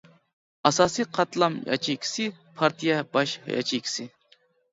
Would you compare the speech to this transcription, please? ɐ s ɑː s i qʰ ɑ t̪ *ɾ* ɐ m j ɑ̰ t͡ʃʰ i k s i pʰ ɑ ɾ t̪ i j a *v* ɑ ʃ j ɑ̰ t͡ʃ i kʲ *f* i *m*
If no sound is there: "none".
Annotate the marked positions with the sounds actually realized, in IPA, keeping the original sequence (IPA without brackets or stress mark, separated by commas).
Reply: l, b, s, none